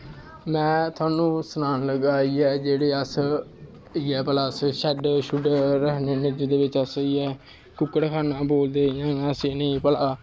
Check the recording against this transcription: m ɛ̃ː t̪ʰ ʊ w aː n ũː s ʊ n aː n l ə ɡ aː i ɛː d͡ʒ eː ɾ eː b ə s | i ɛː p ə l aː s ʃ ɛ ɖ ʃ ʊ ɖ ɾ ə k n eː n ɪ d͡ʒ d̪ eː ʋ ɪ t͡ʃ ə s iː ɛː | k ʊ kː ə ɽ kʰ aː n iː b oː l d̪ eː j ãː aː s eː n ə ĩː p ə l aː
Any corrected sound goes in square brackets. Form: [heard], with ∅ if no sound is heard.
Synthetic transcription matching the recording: m ɛ̃ː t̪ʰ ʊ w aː n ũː s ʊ n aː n l ə ɡ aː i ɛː d͡ʒ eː [ɽ] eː [∅] ə s | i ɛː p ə l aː s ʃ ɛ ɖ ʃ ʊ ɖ ɾ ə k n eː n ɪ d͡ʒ d̪ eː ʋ ɪ t͡ʃ ə s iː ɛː | k ʊ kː ə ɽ kʰ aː n [aː] b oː l d̪ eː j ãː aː s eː n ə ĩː p ə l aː

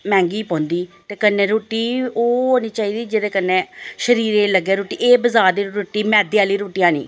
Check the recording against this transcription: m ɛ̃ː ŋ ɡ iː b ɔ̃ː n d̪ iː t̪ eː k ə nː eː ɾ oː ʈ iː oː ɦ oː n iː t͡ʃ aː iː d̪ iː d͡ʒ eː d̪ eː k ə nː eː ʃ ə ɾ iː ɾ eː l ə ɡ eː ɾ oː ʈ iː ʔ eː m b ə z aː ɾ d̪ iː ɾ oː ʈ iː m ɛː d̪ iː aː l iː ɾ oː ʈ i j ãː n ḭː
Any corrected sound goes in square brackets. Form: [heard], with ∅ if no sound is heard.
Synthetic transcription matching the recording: m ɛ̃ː ŋ ɡ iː [p] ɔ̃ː n d̪ iː t̪ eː k ə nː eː ɾ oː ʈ iː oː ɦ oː n iː t͡ʃ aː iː d̪ iː d͡ʒ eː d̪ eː k ə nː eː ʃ ə ɾ iː ɾ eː l ə ɡ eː ɾ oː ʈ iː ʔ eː [∅] b ə z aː ɾ d̪ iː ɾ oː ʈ iː m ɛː d̪ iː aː l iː ɾ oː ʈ i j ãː n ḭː

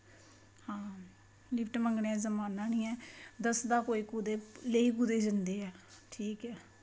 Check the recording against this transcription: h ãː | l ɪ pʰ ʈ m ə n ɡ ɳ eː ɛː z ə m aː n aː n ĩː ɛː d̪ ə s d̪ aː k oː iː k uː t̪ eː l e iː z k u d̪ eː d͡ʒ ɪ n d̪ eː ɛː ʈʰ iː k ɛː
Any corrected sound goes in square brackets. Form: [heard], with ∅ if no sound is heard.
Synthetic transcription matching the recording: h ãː | l ɪ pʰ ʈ m ə [ŋ] ɡ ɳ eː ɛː z ə m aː n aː n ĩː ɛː d̪ ə s d̪ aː k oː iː k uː [d̪] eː l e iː [∅] k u d̪ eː d͡ʒ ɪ n d̪ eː ɛː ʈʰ iː k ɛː

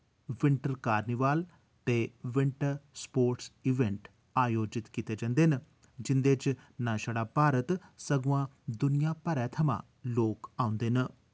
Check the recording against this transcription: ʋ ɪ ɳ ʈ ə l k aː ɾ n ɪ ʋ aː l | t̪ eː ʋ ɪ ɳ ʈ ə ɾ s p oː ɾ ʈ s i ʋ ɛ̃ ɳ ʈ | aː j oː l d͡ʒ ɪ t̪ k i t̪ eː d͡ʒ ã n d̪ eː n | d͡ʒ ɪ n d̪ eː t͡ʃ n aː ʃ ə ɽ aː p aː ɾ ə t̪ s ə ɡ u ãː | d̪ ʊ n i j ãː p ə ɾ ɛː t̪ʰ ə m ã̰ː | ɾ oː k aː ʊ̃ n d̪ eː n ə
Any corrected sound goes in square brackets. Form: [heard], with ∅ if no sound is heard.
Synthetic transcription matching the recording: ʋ ɪ ɳ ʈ ə [ɾ] k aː ɾ n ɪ ʋ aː l | t̪ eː ʋ ɪ ɳ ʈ ə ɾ s p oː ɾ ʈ s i ʋ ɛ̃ ɳ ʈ | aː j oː [∅] d͡ʒ ɪ t̪ k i t̪ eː d͡ʒ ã n d̪ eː n | d͡ʒ ɪ n d̪ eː t͡ʃ n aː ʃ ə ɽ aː p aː ɾ ə t̪ s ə ɡ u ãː | d̪ ʊ n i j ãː p ə ɾ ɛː t̪ʰ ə m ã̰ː | [l] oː k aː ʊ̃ n d̪ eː n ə

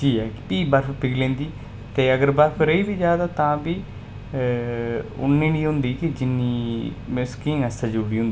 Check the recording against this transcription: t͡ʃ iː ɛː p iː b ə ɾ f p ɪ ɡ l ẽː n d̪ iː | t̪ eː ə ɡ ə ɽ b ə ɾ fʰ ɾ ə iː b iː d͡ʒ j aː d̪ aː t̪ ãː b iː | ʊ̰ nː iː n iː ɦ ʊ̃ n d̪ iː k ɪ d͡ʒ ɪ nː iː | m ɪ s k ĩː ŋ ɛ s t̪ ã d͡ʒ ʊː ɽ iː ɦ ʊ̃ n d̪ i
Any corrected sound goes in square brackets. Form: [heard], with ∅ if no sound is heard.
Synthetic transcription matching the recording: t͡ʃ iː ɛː p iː b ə ɾ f p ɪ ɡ l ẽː n d̪ iː | t̪ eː ə ɡ ə [ɾ] b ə ɾ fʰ ɾ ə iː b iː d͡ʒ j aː d̪ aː t̪ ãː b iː | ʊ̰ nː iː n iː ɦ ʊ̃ n d̪ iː k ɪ d͡ʒ ɪ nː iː | m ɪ s k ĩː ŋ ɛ s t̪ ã d͡ʒ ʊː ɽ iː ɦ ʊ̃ n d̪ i

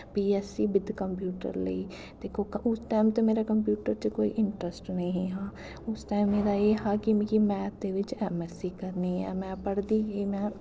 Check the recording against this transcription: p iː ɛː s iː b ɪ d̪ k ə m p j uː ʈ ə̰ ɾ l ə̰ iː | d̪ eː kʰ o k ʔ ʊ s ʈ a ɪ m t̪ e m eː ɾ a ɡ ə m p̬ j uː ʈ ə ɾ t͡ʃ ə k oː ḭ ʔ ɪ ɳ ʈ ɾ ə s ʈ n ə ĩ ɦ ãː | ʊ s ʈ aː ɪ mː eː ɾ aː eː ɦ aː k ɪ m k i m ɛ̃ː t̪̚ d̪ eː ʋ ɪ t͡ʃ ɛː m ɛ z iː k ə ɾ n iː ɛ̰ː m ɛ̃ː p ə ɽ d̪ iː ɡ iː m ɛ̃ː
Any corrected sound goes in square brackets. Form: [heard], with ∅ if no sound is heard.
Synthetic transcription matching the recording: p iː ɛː s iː b ɪ d̪ k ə m p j uː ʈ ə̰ ɾ l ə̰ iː | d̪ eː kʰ o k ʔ ʊ s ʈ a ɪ m t̪ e m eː ɾ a [k] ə m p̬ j uː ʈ ə ɾ t͡ʃ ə k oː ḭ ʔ ɪ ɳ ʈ ɾ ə s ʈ n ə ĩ ɦ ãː | ʊ s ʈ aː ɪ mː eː ɾ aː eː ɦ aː k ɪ m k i m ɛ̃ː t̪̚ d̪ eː ʋ ɪ t͡ʃ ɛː m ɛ [s] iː k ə ɾ n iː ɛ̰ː m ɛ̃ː p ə ɽ d̪ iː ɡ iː m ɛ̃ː

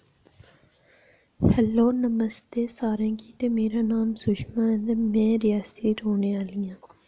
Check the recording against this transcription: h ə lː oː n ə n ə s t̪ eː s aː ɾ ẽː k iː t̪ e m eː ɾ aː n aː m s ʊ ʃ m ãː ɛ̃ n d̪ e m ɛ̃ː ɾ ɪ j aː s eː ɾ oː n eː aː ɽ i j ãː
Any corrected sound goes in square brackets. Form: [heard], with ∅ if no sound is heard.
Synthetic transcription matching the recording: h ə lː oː n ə [m] ə s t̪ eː s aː ɾ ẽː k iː t̪ e m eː ɾ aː n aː m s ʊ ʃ m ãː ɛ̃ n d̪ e m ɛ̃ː ɾ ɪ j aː s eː ɾ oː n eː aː [l] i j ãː

